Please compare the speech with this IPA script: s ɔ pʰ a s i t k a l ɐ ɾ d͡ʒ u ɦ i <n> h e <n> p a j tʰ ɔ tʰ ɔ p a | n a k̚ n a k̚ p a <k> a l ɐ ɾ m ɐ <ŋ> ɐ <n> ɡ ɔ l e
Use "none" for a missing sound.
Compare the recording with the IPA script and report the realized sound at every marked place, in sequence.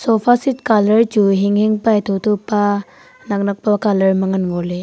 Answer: ŋ, ŋ, k, ŋ, n

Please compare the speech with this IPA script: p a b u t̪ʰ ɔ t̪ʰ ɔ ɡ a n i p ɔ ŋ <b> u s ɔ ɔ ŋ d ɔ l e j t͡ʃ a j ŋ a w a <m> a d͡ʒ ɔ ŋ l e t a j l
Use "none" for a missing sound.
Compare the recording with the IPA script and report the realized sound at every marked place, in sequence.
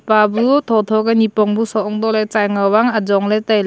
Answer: b, ŋ

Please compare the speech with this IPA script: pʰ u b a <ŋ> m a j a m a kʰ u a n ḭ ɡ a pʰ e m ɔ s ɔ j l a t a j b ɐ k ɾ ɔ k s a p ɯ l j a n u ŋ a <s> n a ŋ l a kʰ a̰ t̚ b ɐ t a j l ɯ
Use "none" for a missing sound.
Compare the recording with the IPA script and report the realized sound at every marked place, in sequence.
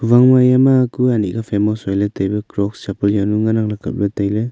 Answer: ŋ, none

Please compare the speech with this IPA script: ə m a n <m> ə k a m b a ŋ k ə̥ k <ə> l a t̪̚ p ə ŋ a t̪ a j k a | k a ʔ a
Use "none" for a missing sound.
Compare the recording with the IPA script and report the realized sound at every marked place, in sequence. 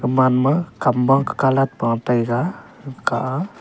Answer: m, a

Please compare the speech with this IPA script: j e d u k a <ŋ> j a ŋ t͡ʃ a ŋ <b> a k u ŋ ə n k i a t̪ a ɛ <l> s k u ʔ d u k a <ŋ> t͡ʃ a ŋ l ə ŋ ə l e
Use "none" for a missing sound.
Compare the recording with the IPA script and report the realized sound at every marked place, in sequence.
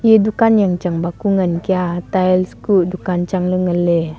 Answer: n, b, l, n

